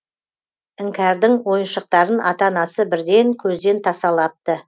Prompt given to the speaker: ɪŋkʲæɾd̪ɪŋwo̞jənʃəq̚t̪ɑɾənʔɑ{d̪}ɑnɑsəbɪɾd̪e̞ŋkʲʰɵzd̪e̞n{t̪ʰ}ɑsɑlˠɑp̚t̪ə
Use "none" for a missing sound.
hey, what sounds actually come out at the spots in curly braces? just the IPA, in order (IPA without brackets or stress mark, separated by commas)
t̪, t̪ʰ